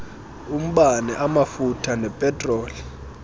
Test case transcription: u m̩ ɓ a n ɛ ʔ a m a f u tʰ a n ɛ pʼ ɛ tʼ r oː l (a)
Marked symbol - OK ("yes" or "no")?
no